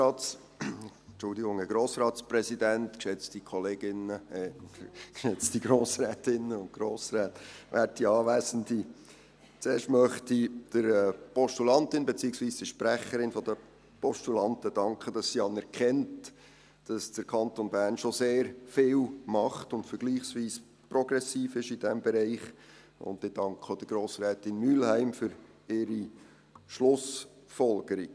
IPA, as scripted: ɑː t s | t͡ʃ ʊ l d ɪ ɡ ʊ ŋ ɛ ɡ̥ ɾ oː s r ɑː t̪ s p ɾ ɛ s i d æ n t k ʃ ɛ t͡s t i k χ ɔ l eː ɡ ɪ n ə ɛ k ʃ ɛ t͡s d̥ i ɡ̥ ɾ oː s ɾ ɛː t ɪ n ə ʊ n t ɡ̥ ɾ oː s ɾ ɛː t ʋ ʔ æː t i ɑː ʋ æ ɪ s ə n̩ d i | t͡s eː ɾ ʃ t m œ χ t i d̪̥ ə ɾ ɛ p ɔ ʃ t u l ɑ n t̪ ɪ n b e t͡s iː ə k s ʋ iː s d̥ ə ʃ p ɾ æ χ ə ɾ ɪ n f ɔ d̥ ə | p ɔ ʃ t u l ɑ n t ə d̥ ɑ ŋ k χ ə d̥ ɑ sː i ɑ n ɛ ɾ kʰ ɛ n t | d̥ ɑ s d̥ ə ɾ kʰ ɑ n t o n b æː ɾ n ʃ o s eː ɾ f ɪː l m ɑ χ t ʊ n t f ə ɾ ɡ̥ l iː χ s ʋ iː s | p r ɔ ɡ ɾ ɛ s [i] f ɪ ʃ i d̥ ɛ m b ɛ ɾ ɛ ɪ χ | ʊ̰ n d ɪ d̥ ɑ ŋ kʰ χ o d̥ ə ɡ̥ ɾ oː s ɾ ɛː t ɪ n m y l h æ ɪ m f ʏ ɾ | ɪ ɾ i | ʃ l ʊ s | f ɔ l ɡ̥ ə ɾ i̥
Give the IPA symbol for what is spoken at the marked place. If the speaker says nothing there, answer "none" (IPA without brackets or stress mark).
iː